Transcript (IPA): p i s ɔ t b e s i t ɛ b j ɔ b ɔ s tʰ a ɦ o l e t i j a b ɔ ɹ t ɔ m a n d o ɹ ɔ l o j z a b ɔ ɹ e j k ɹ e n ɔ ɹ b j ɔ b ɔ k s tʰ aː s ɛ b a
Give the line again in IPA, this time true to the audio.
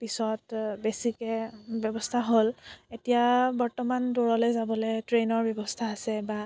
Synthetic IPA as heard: p i s ɔ t b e s i k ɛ b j ɔ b ɔ s tʰ a ɦ o l e t i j a b ɔ ɹ t ɔ m a n d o ɹ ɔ l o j z a b ɔ l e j t ɹ e n ɔ ɹ b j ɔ b ɔ s tʰ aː s ɛ b a